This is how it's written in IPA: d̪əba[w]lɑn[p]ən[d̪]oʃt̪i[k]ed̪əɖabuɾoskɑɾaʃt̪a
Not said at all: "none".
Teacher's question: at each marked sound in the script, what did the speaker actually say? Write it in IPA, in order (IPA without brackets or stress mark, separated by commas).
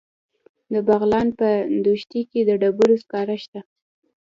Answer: ɣ, p, d̪, k